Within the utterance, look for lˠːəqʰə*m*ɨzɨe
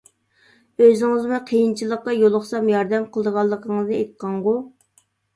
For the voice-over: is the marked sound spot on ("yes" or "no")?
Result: no